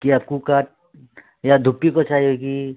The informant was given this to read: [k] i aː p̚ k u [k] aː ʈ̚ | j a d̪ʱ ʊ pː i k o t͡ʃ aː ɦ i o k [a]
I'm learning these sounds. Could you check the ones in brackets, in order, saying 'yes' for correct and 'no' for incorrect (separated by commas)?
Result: yes, yes, no